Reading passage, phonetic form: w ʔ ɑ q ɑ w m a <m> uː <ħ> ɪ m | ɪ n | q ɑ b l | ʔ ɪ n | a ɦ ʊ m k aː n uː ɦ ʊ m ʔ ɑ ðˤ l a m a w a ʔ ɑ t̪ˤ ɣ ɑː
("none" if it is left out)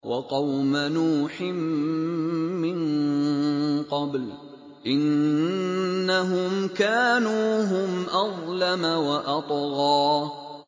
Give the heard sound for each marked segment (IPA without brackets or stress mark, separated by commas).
n, ħ